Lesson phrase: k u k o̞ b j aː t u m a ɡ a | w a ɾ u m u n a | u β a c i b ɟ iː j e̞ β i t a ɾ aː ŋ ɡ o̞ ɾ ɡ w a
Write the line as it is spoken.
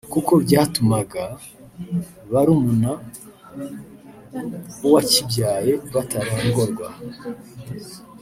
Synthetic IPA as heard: k u k o̞ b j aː t u m a ɡ a | β a ɾ u m u n a | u w a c i b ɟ aː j e̞ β a t a ɾ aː ŋ ɡ o̞ ɾ ɡ w a